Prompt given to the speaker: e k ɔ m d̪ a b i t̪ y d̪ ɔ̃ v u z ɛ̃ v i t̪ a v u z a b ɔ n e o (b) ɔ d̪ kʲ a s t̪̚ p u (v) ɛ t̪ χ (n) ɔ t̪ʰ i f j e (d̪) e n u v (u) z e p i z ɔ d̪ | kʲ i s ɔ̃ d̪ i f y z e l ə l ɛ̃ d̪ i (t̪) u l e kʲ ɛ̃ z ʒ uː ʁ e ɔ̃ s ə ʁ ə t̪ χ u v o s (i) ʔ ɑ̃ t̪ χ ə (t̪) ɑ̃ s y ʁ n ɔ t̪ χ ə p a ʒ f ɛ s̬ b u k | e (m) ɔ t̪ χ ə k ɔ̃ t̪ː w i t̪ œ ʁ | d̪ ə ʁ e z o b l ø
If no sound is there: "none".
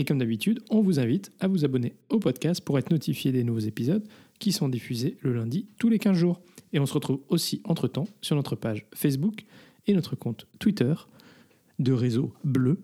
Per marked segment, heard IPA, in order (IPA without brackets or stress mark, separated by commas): p, ʁ, n, d̪, o, t̪, i, t̪, n